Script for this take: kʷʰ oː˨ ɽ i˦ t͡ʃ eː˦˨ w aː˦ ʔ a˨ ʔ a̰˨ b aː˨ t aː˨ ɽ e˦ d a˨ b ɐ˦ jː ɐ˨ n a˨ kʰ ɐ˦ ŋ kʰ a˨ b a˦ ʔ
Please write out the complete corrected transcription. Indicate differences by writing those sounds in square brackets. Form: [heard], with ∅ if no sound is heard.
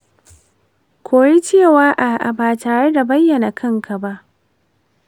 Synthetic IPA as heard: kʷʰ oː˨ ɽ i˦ t͡ʃ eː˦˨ w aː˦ ʔ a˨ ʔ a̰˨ b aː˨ t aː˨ ɽ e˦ d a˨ b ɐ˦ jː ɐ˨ n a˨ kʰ ɐ˦ ŋ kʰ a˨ b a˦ ʔ